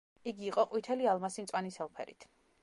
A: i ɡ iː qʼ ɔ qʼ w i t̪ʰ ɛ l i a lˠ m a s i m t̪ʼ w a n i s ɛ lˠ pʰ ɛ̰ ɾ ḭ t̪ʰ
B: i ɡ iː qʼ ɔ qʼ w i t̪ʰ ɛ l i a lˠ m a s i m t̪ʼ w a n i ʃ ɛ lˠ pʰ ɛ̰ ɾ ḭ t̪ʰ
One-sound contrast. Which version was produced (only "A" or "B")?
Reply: A